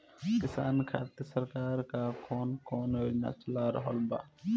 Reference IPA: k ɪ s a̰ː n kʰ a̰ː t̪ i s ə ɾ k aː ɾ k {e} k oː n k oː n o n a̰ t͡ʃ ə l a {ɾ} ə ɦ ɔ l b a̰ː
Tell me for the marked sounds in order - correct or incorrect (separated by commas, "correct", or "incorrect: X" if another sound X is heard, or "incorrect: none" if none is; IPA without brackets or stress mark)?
incorrect: a, correct